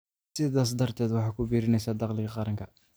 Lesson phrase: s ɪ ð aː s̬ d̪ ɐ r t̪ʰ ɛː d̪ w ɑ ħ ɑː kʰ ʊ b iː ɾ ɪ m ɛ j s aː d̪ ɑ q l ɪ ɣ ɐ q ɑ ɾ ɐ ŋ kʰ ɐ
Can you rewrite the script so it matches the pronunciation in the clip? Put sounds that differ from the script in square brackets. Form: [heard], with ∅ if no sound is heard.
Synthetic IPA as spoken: s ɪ ð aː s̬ d̪ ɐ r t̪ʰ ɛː d̪ w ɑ ħ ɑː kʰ ʊ b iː ɾ ɪ [n] ɛ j s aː d̪ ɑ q l ɪ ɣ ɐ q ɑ ɾ ɐ ŋ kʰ ɐ